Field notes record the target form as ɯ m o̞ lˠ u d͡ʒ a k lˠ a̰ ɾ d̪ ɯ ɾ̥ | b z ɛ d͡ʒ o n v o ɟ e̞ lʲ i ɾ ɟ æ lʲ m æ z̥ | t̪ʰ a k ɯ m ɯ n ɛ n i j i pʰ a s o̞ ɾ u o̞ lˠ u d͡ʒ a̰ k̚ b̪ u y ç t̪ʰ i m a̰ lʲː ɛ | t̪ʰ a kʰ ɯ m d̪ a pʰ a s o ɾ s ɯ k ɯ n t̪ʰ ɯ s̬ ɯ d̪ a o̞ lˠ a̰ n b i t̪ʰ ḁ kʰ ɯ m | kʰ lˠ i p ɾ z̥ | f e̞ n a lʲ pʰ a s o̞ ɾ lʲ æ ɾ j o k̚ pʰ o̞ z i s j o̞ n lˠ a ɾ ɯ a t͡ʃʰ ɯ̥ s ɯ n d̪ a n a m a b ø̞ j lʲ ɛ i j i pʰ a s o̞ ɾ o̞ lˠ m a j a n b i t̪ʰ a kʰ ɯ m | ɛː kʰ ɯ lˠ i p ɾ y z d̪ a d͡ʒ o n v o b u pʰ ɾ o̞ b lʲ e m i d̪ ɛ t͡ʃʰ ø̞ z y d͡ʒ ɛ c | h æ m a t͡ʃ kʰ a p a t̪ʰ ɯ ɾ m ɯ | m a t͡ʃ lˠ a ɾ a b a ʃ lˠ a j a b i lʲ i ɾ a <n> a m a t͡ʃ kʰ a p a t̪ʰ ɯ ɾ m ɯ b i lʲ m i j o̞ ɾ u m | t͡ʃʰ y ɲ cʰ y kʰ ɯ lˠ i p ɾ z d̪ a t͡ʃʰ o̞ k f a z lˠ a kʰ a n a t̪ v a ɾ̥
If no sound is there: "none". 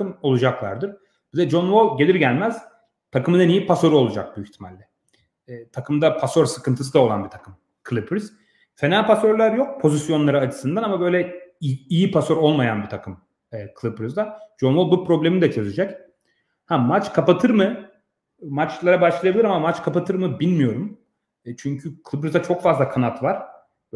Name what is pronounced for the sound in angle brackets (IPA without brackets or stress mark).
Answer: m